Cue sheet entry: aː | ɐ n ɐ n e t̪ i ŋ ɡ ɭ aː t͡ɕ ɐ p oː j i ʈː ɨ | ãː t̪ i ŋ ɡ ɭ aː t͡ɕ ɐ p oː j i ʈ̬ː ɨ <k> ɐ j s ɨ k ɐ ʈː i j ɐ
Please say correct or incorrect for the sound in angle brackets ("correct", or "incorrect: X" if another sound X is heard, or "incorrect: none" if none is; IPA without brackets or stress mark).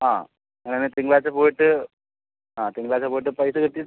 incorrect: p